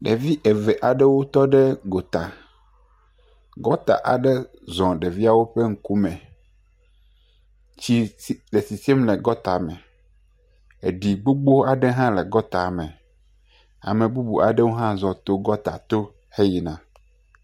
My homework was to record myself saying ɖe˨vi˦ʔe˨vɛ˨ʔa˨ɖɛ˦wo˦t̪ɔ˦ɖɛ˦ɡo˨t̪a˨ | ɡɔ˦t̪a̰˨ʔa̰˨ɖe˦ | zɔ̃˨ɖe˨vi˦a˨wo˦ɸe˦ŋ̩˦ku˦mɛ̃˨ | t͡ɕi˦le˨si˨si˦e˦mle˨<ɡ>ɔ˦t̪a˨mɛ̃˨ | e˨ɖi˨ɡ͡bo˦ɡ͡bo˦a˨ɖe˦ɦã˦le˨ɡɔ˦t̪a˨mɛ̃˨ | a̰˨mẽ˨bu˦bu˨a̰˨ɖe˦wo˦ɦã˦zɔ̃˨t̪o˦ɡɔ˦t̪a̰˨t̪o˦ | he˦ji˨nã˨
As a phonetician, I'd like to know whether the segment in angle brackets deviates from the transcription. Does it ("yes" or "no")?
no